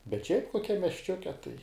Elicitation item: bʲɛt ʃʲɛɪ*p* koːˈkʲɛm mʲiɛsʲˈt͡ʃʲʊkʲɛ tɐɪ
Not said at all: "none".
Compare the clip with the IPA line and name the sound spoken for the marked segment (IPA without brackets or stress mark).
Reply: p